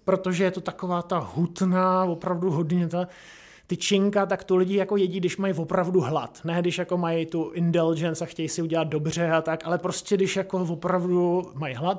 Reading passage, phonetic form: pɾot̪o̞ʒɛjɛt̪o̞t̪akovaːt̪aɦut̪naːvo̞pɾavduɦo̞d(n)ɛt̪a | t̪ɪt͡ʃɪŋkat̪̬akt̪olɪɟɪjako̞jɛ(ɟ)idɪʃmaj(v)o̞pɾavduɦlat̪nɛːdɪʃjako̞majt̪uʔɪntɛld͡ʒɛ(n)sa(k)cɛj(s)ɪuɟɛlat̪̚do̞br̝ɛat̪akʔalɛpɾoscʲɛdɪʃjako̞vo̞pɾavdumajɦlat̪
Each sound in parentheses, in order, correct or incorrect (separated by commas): incorrect, correct, correct, correct, incorrect, correct